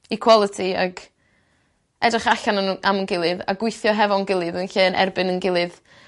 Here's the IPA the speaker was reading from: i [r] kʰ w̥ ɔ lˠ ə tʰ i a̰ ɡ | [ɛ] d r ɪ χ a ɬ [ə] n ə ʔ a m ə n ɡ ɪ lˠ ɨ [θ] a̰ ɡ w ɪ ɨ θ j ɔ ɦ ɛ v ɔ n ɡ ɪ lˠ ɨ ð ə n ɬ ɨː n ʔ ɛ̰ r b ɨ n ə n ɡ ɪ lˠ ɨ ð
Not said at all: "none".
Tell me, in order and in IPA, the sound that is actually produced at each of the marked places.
none, ɛ, a, ð

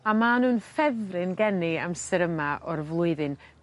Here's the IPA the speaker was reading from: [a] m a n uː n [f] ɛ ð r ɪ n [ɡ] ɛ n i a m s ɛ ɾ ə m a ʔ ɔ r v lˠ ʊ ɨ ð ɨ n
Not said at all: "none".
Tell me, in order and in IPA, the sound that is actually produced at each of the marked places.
a, f, ɡ

